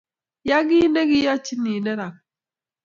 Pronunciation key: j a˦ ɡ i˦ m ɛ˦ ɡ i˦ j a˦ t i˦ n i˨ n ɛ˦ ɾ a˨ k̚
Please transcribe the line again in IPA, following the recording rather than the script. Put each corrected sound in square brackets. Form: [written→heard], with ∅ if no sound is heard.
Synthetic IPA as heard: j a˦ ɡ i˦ [m→n] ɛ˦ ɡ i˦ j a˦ [t→t͡ʃ] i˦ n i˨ n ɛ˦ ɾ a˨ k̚